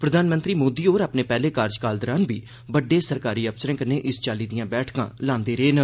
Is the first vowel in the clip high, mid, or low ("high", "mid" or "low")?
mid